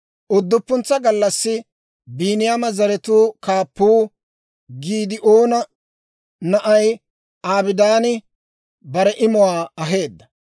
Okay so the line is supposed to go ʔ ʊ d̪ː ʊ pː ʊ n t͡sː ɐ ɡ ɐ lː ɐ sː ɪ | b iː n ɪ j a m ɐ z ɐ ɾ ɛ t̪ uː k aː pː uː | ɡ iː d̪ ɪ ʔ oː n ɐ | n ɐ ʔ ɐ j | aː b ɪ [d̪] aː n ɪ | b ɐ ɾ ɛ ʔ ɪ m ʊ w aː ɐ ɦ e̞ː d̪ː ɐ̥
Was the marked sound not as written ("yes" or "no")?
no